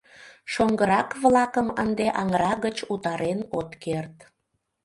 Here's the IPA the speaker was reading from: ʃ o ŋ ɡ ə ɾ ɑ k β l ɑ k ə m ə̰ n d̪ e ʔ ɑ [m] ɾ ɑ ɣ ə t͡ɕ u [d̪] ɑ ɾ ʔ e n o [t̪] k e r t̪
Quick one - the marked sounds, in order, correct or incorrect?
incorrect, incorrect, correct

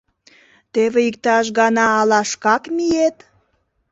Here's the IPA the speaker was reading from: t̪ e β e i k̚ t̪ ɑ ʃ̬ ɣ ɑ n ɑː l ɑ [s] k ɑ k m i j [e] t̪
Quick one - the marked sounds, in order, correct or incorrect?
incorrect, correct

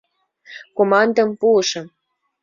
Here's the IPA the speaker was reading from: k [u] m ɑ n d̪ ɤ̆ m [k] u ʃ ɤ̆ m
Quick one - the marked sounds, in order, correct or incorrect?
incorrect, incorrect

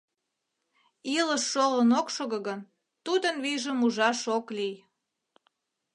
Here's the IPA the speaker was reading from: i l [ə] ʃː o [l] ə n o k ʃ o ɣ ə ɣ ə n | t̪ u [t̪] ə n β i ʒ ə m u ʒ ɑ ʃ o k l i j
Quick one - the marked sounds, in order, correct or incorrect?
correct, correct, incorrect

